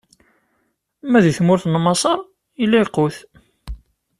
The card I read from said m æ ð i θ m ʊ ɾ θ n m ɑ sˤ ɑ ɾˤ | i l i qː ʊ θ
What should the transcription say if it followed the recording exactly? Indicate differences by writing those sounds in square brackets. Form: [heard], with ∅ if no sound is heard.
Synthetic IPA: m æ ð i θ m ʊ ɾ θ n m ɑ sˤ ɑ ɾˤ | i l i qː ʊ θ